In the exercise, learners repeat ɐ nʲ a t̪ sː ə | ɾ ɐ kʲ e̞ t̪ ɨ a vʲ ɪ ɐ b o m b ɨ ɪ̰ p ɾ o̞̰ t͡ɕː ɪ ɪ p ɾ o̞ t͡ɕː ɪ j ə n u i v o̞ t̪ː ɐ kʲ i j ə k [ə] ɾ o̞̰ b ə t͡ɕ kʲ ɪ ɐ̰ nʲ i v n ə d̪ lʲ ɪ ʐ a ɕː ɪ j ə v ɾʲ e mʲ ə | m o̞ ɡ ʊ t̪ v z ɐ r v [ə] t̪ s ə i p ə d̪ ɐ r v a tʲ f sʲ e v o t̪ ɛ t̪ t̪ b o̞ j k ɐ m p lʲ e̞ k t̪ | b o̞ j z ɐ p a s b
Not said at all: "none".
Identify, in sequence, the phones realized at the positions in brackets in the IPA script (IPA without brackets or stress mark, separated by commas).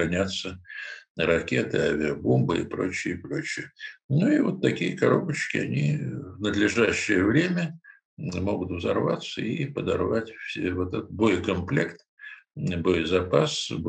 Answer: ɐ, a